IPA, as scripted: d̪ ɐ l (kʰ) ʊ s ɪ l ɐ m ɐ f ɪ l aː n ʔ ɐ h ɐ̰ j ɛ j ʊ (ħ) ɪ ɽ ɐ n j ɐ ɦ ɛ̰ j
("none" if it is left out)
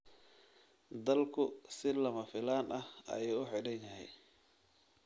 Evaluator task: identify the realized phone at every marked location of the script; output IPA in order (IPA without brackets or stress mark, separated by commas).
kʰ, ħ